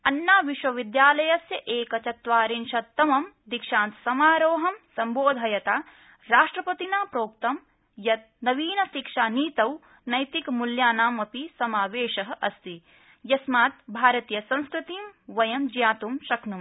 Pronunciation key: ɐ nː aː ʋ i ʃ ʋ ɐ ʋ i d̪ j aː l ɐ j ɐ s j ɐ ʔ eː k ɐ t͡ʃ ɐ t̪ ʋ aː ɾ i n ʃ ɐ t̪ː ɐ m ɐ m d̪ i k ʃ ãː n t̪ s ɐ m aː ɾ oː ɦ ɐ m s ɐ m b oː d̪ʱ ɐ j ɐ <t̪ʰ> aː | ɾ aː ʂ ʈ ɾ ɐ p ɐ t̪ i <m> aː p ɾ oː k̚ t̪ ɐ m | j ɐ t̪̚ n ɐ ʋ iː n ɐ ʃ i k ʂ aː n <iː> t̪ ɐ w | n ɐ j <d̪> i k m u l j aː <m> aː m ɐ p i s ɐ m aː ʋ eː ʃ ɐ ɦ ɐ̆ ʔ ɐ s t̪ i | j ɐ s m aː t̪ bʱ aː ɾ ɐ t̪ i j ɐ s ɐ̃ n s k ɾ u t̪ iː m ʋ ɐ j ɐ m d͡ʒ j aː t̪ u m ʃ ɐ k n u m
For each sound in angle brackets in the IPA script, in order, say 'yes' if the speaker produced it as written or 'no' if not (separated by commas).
no, no, yes, no, no